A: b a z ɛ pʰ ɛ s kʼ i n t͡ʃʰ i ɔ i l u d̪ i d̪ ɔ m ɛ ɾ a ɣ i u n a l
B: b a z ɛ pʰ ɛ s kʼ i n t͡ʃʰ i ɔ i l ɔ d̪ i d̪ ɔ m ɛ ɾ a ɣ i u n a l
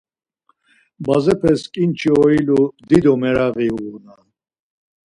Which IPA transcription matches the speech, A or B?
A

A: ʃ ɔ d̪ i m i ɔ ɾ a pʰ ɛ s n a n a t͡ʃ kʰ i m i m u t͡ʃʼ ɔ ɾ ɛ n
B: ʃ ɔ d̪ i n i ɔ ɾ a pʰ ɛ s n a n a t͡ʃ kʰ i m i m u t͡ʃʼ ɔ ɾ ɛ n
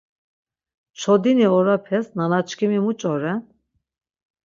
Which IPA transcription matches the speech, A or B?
B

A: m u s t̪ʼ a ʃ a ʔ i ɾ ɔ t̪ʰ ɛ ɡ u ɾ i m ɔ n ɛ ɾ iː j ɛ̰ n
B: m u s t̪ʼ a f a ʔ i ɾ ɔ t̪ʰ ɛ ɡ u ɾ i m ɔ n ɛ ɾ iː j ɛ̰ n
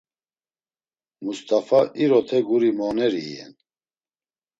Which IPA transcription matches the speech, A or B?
B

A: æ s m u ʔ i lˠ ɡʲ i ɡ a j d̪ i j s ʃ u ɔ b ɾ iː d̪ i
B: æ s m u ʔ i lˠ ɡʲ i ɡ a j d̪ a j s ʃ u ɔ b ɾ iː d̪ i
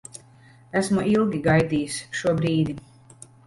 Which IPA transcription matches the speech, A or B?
A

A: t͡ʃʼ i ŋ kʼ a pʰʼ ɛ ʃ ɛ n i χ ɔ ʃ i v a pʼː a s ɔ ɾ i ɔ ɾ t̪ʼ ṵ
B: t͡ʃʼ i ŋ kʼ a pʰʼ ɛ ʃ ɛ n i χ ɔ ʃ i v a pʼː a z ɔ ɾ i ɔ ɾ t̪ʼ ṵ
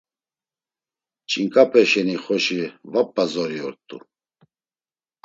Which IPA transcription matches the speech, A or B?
B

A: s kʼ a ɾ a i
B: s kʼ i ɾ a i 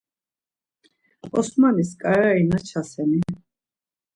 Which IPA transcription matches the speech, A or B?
A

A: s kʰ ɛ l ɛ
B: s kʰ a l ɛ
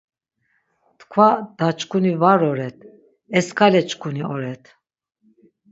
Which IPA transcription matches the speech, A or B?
B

